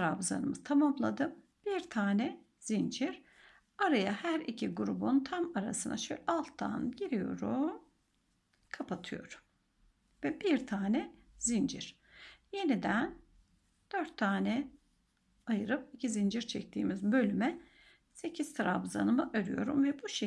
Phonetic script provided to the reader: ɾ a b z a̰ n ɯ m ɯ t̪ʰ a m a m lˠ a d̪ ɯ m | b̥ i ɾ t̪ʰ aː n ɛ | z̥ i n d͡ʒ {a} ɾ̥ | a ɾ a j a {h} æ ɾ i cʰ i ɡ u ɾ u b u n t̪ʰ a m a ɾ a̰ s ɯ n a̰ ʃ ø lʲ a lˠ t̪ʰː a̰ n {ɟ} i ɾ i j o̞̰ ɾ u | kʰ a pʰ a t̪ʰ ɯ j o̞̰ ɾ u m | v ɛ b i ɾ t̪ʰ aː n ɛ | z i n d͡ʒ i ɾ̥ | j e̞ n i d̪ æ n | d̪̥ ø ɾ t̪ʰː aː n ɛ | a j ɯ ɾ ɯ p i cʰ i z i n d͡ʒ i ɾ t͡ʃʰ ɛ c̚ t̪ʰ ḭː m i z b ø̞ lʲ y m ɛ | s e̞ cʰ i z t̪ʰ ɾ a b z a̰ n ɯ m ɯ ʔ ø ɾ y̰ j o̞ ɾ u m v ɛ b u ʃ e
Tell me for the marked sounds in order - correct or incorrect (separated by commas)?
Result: incorrect, correct, correct